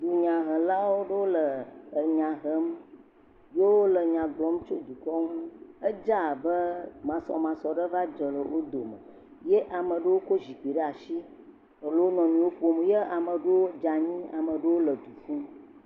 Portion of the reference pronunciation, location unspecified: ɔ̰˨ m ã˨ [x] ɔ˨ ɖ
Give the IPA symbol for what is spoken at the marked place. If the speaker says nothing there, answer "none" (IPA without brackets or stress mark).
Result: s